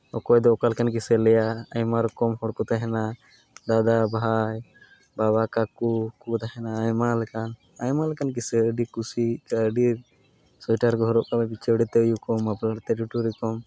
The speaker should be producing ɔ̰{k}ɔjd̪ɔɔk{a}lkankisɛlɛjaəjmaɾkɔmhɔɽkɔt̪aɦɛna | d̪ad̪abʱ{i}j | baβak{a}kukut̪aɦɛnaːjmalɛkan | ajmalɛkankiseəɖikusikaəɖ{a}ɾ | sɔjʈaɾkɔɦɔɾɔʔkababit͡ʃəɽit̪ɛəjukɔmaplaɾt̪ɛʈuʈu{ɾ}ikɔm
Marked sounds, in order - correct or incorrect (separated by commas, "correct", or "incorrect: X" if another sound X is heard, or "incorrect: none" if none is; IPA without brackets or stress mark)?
correct, correct, incorrect: a, correct, incorrect: i, correct